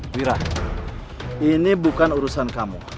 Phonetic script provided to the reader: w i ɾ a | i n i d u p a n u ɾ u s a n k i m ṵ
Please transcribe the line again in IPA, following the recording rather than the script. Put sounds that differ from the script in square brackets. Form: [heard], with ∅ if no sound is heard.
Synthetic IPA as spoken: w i ɾ a | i n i [b] u [k] a n u ɾ u s a n k [a] m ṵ